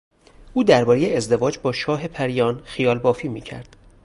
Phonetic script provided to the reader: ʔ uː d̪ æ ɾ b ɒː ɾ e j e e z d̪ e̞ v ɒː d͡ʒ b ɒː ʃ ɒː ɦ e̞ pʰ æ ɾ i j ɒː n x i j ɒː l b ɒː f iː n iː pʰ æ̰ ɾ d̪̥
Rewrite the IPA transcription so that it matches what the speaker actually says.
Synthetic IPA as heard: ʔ uː d̪ æ ɾ b ɒː ɾ e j e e z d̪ e̞ v ɒː d͡ʒ b ɒː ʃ ɒː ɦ e̞ pʰ æ ɾ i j ɒː n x i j ɒː l b ɒː f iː m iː cʰ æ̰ ɾ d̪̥